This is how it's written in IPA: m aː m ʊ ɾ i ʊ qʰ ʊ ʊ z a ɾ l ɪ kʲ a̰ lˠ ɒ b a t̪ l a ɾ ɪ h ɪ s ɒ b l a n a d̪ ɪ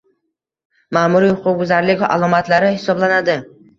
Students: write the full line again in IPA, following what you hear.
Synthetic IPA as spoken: m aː m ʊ ɾ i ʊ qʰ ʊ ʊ z a ɾ l ɪ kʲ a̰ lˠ ɒ m a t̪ l a ɾ ɪ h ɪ s ɒ b l a n a d̪ ɪ